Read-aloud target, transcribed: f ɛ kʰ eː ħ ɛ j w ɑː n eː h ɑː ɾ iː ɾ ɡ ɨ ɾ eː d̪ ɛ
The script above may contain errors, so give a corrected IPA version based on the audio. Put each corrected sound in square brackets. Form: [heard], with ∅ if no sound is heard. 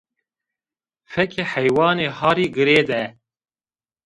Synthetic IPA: f ɛ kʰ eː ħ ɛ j w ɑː n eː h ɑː ɾ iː [∅] ɡ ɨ ɾ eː d̪ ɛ